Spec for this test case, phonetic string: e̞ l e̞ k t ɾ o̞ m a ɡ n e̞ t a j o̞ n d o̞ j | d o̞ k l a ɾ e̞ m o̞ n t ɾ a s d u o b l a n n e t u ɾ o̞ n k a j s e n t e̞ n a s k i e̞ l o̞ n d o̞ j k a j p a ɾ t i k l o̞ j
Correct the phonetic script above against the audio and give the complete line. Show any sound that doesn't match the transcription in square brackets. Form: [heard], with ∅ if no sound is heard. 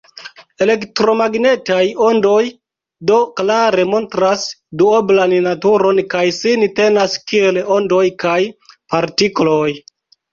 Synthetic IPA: e̞ l e̞ k t ɾ o̞ m a ɡ n e̞ t a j o̞ n d o̞ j | d o̞ k l a ɾ e̞ m o̞ n t ɾ a s d u o b l a n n [a] t u ɾ o̞ n k a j s [i] n t e̞ n a s k i e̞ l o̞ n d o̞ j k a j p a ɾ t i k l o̞ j

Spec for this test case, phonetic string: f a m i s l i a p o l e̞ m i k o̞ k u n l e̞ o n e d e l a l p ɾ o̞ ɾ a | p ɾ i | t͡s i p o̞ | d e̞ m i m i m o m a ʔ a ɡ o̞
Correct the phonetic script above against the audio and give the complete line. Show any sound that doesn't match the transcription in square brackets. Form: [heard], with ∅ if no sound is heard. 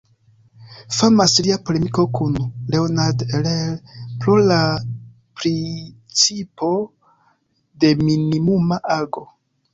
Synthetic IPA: f a m [a] s l i a p o l e̞ m i k o̞ k u n l e̞ o n [a] d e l [e] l p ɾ o̞ [l] a | p ɾ i | t͡s i p o̞ | d e̞ m i [n] i m [u] m a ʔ a ɡ o̞

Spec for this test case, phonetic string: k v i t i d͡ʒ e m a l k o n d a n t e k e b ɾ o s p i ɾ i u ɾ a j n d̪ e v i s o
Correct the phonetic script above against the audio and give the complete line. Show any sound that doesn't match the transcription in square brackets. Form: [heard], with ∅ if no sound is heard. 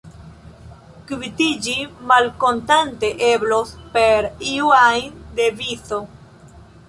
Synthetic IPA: k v i t i d͡ʒ [i] m a l k o n [t] a n t e [ʔ] e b [l] o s p [e] ɾ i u [∅] a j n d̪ e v i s o

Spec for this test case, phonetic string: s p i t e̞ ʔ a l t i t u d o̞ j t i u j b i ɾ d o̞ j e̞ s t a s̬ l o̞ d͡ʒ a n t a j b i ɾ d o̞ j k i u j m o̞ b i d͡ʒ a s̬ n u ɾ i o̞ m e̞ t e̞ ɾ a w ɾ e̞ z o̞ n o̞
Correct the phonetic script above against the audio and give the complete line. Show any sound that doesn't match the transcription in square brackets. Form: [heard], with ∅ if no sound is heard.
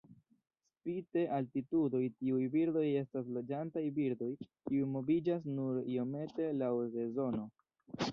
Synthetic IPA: s p i t e̞ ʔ a l t i t u d o̞ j t i u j b i ɾ d o̞ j e̞ s t a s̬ l o̞ d͡ʒ a n t a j b i ɾ d o̞ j k i u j m o̞ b i d͡ʒ a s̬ n u ɾ i o̞ m e̞ t e̞ [l] a w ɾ e̞ z o̞ n o̞

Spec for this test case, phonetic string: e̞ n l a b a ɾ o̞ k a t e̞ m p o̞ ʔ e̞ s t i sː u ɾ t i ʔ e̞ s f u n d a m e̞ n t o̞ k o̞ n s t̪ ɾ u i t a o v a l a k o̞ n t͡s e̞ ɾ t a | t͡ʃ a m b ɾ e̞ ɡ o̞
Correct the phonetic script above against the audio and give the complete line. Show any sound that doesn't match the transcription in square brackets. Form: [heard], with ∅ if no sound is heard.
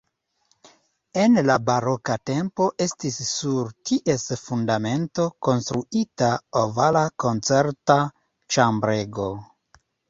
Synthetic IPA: e̞ n l a b a ɾ o̞ k a t e̞ m p o̞ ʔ e̞ s t i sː u ɾ t i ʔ e̞ s f u n d a m e̞ n t o̞ k o̞ n s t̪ ɾ u i t a o v a l a k o̞ n t͡s e̞ ɾ t a | t͡ʃ a m b ɾ e̞ ɡ o̞

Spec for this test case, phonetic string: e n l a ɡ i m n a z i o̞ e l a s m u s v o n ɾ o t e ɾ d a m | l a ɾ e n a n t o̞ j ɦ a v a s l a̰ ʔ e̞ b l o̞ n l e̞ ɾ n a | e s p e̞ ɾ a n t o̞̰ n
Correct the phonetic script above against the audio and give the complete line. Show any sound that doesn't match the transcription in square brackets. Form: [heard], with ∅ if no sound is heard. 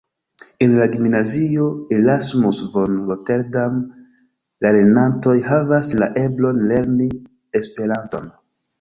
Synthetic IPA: e n l a ɡ i m n a z i o̞ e l a s m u s v o n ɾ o t e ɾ d a m | l a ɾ e n a n t o̞ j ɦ a v a s l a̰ ʔ e̞ b l o̞ n l e̞ ɾ n [i] | e s p e̞ ɾ a n t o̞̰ n

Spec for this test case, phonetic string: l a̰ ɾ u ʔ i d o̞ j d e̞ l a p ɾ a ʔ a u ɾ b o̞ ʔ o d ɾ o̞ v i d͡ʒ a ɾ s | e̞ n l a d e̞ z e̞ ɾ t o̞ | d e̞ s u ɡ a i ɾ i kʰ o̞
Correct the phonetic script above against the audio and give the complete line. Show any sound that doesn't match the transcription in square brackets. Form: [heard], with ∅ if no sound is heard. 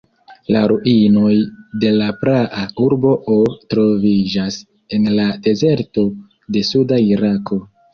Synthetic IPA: l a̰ ɾ u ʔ i [n] o̞ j d e̞ l a p ɾ a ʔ a u ɾ b o̞ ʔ o [t] ɾ o̞ v i d͡ʒ a [∅] s | e̞ n l a d e̞ z e̞ ɾ t o̞ | d e̞ s u [d] a i ɾ [a] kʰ o̞

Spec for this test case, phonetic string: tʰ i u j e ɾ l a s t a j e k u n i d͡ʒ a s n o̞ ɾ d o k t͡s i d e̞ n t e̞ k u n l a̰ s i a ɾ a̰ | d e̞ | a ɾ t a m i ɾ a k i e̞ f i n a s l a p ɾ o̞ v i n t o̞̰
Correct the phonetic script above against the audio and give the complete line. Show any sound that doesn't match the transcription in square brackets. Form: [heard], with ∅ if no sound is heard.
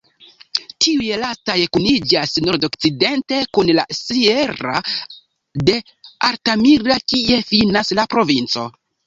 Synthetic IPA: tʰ i u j e [∅] l a s t a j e k u n i d͡ʒ a s n o̞ ɾ d o k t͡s i d e̞ n t e̞ k u n l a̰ s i [e] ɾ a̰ | d e̞ | a ɾ t a m i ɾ a k i e̞ f i n a s l a p ɾ o̞ v i n [t͡s] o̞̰

